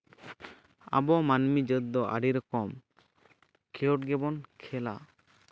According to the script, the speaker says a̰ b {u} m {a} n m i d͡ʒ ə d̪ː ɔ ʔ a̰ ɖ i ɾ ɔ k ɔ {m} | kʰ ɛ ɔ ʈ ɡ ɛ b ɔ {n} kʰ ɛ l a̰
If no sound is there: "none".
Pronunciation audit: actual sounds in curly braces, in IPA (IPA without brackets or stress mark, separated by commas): ɔ, a, m, n